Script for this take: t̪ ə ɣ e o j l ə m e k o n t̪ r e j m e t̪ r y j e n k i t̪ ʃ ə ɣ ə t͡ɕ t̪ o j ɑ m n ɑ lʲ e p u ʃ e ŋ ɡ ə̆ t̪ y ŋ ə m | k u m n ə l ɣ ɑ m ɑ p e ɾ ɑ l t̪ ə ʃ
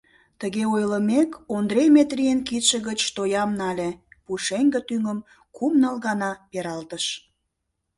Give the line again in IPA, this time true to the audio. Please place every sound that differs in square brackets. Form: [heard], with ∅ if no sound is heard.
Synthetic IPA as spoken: t̪ ə ɣ e o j l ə m e k o n [d̪] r e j m e t̪ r [i] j e n k i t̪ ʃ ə ɣ ə t͡ɕ t̪ o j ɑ m n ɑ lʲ e p u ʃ e ŋ ɡ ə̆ t̪ y ŋ ə m | k u m n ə l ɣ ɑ [n] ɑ p e ɾ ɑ l t̪ ə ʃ